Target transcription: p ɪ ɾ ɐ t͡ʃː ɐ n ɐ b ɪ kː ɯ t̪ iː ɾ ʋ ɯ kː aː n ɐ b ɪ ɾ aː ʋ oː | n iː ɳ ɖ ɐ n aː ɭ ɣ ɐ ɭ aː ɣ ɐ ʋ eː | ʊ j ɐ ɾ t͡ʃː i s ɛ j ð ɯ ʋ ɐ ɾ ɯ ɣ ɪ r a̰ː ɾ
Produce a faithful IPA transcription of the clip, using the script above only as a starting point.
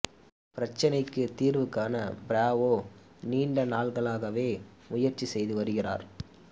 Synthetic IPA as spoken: p ɪ ɾ ɐ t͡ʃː ɐ n ɐ ɪ kː ɯ t̪ iː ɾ ʋ ɯ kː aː n ɐ b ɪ ɾ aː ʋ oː | n iː ɳ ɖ ɐ n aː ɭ ɣ ɐ ɭ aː ɣ ɐ ʋ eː | ʊ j ɐ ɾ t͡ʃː i s ɛ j ð ɯ ʋ ɐ ɾ ɯ ɣ ɪ r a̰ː ɾ